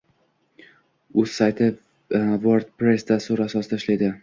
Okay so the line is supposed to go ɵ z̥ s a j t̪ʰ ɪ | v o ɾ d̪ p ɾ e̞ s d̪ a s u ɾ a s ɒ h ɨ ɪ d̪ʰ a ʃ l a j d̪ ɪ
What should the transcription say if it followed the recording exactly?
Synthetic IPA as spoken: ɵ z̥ s a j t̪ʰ ɪ | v o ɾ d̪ p ɾ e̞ s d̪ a s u ɾ a s ɒ s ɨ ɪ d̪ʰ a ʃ l a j d̪ ɪ